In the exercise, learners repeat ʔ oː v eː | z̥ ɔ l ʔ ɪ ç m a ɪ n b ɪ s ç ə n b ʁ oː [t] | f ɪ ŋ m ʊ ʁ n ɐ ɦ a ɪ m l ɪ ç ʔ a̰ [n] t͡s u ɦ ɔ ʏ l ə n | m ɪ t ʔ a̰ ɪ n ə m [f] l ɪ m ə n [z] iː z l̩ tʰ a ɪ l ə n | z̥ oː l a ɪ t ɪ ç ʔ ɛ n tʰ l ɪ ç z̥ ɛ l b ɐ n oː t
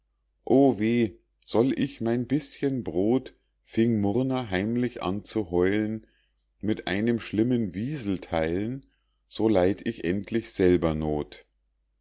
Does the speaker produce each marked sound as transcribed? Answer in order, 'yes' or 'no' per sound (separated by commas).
yes, yes, no, no